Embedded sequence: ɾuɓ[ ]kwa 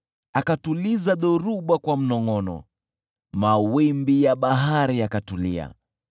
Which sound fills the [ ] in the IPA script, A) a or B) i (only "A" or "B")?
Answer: A